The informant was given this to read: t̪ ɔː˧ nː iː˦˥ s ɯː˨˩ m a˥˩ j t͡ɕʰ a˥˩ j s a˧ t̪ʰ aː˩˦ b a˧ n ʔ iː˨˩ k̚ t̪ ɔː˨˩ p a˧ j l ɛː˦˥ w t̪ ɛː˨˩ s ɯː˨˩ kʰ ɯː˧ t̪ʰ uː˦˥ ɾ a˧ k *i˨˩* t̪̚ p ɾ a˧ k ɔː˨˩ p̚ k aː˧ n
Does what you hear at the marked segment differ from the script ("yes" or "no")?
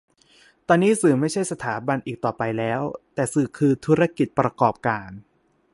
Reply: no